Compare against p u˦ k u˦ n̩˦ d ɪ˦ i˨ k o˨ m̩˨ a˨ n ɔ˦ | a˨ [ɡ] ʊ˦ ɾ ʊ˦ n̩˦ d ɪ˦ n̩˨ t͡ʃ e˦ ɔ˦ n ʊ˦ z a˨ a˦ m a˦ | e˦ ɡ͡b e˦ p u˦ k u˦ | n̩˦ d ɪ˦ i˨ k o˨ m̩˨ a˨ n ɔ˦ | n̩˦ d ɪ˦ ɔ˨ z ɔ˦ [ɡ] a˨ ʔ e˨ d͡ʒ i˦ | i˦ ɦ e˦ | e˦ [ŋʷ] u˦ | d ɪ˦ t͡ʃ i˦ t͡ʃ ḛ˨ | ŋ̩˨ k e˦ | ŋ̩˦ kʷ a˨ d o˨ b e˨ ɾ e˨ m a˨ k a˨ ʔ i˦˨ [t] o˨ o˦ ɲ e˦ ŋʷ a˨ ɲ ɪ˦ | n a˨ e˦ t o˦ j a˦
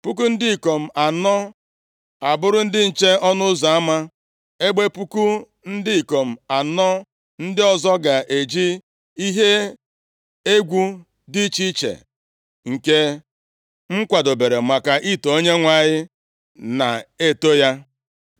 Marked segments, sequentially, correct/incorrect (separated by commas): incorrect, correct, incorrect, correct